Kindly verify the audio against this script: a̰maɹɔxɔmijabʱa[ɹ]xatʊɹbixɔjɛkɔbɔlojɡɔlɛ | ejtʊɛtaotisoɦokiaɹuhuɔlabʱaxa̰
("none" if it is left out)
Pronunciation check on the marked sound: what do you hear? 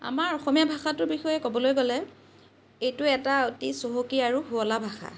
none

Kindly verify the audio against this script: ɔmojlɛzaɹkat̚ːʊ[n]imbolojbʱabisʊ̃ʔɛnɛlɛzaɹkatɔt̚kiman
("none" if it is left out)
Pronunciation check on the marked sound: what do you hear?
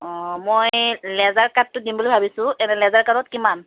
d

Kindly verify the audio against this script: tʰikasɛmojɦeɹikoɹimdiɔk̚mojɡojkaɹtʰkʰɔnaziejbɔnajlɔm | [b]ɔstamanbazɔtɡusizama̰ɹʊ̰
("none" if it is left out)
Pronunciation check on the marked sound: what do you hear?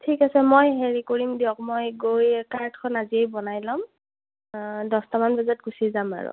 d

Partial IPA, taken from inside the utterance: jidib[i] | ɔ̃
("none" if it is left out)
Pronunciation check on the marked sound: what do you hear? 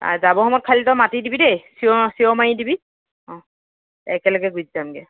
i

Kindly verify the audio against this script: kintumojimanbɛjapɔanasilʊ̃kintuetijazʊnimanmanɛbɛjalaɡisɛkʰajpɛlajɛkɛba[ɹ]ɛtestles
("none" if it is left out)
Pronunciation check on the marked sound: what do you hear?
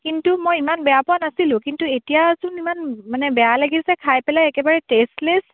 ɹ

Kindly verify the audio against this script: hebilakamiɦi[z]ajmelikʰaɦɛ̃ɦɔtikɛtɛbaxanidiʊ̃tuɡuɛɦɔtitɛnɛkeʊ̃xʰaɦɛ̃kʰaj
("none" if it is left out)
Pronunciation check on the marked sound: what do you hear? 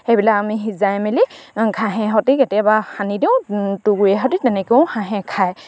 z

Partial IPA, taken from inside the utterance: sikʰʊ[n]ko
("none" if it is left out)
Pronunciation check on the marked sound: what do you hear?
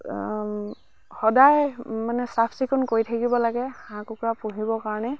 n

